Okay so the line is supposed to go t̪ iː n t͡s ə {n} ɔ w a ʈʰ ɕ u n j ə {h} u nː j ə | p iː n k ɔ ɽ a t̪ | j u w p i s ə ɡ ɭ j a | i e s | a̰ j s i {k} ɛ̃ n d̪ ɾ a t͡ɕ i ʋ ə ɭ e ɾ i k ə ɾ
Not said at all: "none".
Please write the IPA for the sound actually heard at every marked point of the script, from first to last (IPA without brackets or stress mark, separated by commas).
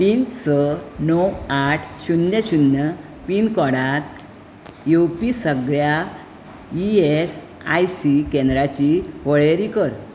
n, ɕ, k